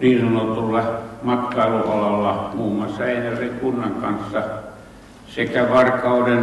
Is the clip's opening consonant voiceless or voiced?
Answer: voiced